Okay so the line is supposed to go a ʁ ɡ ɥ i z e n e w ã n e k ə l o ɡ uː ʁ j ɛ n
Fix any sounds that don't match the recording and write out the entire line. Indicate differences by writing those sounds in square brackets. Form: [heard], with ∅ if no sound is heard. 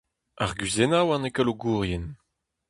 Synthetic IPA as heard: a ʁ ɡ ɥ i z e n [a] w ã n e k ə l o ɡ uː ʁ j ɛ n